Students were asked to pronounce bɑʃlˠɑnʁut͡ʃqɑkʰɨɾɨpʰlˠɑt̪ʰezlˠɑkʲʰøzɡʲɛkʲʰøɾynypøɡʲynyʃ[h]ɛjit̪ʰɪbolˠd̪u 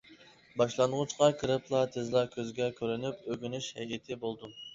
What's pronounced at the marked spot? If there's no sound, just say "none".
h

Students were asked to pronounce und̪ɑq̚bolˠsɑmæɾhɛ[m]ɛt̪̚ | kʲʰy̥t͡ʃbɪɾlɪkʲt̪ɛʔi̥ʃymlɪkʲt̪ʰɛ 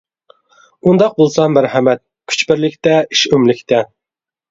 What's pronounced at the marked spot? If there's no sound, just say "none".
m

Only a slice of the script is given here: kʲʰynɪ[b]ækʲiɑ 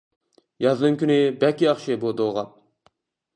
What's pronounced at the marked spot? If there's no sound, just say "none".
b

